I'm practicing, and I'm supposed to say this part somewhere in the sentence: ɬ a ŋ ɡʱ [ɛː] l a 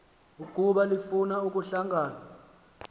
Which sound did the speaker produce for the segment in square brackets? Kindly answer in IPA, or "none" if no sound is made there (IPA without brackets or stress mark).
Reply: aː